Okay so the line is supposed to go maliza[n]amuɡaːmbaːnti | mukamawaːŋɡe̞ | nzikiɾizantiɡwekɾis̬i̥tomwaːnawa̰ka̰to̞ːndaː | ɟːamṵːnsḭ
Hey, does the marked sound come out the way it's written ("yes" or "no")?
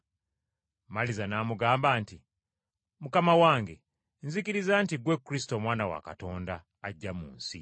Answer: yes